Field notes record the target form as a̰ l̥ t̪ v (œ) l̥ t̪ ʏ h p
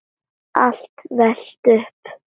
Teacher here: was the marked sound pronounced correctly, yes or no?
no